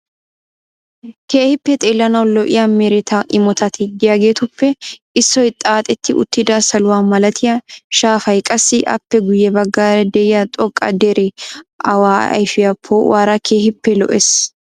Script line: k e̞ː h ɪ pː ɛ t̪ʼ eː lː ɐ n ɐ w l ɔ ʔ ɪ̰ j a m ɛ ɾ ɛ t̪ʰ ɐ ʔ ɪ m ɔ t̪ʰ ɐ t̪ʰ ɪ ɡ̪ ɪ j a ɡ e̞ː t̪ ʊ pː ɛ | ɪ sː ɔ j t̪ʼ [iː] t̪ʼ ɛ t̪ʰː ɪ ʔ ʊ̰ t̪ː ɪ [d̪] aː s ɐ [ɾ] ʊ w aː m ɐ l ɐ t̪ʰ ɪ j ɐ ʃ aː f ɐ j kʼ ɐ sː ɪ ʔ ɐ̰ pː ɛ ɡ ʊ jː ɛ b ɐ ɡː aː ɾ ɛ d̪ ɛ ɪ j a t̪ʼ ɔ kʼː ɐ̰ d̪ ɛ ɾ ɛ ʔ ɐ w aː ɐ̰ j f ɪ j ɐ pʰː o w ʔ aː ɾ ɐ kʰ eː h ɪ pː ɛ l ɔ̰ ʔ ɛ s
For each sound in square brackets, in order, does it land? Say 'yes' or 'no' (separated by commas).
no, yes, no